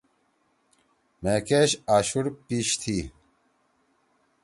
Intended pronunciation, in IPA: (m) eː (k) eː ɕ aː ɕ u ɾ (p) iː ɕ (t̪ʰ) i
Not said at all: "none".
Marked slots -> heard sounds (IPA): m, k, p, t̪ʰ

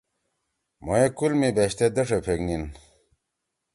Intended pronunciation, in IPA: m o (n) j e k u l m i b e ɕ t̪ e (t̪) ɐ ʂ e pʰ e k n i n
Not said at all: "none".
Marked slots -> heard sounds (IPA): none, d̪

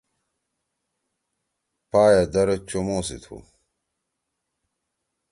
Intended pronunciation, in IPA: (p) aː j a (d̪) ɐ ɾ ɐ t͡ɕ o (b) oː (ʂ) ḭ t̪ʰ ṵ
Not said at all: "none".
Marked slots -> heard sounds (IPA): p, d̪, m, s

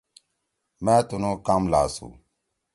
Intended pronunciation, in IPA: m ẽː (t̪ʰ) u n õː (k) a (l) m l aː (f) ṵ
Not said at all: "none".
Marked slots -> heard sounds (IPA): t̪, k, none, s

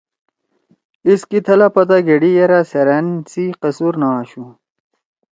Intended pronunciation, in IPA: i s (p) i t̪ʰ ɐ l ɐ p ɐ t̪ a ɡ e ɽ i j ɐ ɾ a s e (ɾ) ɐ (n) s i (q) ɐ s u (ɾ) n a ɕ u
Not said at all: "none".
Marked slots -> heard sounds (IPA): k, ɾ, n, q, ɾ

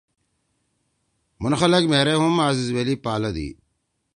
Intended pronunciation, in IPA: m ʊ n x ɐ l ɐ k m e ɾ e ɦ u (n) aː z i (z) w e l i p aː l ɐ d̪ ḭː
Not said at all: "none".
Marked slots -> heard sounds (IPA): m, z

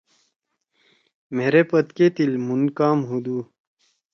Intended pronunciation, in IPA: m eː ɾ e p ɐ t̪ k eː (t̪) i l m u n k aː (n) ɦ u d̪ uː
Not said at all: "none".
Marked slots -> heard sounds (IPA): t̪, m

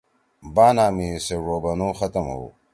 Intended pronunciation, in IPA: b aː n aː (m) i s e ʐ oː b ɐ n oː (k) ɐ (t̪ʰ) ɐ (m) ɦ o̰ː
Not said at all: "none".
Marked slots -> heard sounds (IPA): m, x, t̪, m

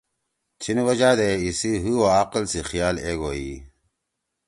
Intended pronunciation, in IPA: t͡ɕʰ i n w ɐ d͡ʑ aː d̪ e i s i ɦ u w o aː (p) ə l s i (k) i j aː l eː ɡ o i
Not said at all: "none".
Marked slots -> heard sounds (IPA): q, x

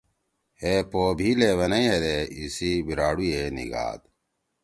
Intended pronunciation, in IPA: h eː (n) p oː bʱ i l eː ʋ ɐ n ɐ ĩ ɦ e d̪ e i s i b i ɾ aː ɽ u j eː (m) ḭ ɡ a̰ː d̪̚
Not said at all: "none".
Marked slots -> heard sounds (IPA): none, n

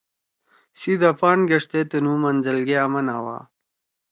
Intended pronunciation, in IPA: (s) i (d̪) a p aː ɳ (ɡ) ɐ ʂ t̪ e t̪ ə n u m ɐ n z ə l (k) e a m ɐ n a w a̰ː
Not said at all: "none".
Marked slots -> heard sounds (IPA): s, d̪, ɡ, ɡ

